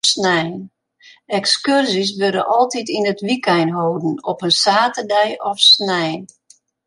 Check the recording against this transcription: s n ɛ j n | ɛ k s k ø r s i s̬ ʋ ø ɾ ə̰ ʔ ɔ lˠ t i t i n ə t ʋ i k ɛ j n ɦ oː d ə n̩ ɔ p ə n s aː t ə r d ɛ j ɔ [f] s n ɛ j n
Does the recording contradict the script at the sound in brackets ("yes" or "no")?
no